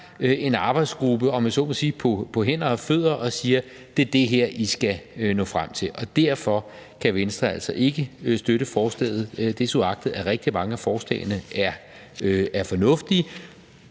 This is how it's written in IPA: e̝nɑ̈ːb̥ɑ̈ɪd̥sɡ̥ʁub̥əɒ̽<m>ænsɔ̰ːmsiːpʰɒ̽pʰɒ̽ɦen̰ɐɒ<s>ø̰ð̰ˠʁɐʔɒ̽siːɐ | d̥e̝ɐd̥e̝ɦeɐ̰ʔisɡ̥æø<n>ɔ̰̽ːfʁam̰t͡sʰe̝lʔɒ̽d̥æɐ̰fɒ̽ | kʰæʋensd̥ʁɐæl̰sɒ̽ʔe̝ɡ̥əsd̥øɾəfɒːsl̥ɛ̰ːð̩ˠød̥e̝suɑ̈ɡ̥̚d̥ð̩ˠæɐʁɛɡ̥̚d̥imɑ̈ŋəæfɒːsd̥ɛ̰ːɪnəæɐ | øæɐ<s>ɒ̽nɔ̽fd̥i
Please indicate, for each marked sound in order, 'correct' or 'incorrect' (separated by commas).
correct, incorrect, correct, incorrect